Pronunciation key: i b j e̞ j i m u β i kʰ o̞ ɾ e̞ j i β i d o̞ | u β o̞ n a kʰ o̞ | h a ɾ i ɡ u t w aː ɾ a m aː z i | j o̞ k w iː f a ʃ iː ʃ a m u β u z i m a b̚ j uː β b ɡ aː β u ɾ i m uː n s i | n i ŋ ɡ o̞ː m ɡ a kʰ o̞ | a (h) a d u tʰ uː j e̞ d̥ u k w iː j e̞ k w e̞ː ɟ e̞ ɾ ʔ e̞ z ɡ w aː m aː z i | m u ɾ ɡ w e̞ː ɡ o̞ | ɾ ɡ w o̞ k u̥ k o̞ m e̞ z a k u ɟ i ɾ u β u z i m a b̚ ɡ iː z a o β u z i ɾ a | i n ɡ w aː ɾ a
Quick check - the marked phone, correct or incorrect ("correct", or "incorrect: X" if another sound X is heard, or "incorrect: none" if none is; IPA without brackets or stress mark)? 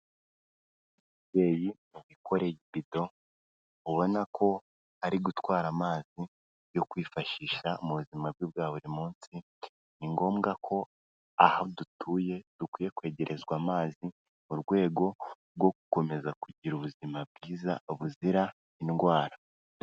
correct